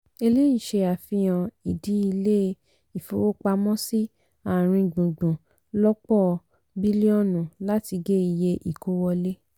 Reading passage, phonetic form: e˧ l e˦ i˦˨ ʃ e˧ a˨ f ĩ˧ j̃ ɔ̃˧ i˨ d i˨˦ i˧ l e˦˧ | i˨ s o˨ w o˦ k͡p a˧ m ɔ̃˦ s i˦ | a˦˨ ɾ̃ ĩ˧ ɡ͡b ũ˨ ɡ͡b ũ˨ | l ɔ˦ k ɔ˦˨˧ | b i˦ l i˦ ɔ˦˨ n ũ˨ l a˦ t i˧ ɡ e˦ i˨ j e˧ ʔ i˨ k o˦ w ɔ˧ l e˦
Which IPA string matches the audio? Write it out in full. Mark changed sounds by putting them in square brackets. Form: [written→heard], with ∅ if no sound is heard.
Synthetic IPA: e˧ l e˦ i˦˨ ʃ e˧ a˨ f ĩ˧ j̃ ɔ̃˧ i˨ d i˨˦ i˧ l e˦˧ | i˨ [s→f] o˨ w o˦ k͡p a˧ m ɔ̃˦ s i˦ | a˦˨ ɾ̃ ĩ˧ ɡ͡b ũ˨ ɡ͡b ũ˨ | l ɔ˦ [k→k͡p] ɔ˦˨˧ | b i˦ l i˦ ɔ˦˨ n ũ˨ l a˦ t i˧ ɡ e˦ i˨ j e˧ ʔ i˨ k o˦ w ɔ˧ l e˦